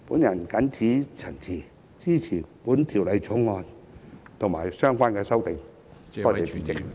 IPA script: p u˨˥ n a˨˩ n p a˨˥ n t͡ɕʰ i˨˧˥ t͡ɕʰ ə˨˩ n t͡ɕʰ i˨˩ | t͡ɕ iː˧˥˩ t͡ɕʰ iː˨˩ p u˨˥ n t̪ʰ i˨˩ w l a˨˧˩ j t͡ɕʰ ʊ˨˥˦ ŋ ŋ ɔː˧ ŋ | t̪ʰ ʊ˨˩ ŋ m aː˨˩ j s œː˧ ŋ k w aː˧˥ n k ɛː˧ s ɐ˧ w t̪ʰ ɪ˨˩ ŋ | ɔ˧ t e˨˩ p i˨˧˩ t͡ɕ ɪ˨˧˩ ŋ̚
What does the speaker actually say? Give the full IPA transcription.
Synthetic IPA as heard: p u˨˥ n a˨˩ n k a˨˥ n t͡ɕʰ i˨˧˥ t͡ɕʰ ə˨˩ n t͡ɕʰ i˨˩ | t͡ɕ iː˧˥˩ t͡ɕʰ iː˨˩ p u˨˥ n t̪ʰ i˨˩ w l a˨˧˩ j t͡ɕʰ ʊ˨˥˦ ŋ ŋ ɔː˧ n | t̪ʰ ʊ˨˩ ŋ m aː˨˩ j s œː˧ ŋ k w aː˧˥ n k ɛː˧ s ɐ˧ w t̪ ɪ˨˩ ŋ | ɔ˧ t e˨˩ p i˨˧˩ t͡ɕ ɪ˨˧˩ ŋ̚